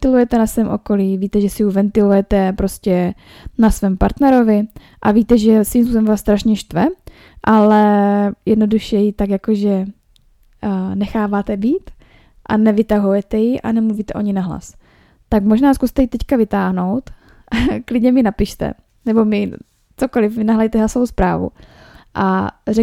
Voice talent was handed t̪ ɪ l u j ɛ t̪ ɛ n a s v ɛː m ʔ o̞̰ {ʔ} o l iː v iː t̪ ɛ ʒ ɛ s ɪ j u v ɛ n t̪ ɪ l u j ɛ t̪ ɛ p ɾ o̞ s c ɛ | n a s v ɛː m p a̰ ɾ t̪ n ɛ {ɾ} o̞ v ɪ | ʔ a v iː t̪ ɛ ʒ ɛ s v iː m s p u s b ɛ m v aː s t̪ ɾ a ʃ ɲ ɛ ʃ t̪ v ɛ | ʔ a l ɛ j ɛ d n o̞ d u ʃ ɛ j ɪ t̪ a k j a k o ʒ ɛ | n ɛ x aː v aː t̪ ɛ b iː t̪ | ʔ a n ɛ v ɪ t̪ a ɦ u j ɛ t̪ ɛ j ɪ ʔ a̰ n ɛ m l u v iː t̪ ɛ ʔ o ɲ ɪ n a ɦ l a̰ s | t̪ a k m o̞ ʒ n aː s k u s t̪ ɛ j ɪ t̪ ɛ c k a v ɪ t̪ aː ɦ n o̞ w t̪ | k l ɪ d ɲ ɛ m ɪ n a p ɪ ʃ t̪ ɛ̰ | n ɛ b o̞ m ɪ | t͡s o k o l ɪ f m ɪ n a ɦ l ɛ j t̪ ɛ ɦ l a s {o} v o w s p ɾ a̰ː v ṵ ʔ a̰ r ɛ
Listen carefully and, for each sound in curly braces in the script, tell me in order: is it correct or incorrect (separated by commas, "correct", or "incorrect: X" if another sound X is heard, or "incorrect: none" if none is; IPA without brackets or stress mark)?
incorrect: k, correct, correct